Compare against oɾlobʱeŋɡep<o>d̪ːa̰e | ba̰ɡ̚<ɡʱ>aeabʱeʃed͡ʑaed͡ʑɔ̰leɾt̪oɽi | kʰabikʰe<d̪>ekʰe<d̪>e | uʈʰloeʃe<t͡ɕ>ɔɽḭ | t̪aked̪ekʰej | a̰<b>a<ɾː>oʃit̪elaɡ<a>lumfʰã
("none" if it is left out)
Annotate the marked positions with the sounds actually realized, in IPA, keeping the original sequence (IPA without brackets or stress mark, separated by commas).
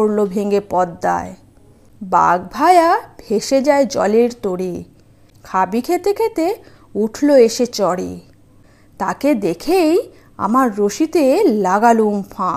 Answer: ɔ, bʱ, t̪, t̪, t͡ɕ, m, ɾː, a